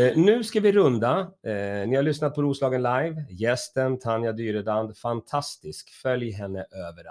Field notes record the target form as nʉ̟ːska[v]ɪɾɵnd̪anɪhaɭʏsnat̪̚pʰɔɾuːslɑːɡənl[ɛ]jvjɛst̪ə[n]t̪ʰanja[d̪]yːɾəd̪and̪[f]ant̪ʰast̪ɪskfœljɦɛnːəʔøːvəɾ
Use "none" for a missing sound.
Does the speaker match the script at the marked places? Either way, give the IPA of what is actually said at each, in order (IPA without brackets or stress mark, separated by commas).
v, a, n, d̪, f